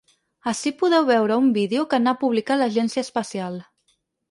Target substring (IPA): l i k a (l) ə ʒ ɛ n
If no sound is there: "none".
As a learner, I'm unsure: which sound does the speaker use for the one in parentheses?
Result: l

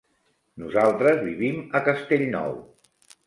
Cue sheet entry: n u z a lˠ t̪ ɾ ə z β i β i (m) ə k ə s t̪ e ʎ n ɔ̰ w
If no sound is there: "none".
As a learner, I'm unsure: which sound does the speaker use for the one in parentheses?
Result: m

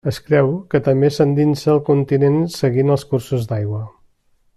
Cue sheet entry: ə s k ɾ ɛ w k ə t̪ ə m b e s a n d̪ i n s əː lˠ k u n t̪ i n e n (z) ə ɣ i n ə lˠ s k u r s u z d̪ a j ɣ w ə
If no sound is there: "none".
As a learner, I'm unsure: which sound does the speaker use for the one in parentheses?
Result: s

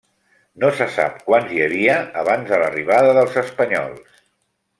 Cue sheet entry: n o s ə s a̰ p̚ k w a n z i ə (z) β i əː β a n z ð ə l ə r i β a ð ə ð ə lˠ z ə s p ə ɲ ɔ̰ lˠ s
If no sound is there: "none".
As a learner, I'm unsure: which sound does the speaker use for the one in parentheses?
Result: none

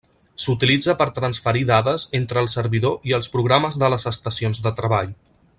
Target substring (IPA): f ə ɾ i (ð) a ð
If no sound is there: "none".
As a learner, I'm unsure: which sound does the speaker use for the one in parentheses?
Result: ð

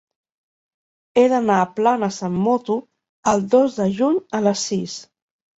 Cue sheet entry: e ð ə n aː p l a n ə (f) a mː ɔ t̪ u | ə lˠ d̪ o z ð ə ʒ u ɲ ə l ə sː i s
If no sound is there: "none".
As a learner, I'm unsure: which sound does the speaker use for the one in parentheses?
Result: s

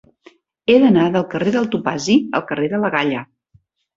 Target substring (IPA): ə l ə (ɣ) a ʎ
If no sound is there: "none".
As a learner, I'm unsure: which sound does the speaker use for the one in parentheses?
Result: ɣ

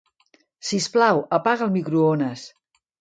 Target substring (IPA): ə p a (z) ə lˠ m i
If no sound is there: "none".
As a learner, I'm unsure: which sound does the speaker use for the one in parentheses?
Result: ɣ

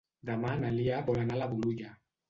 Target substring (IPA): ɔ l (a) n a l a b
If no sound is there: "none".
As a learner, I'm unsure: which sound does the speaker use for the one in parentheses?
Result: a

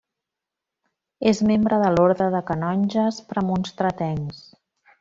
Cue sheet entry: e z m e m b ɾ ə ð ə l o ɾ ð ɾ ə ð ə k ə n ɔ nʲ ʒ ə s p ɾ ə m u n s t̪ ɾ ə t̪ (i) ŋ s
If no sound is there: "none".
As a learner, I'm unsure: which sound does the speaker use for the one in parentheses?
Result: ɛ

